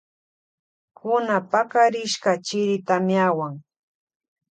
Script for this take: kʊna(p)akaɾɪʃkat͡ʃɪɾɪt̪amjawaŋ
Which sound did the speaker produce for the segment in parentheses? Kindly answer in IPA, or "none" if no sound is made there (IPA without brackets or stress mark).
p